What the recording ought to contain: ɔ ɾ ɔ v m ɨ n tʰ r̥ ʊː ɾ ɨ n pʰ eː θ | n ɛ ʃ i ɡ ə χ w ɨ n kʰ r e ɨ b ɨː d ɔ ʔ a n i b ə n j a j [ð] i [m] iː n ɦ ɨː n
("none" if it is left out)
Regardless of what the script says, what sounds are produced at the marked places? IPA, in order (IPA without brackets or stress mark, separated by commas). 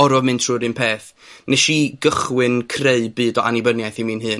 θ, m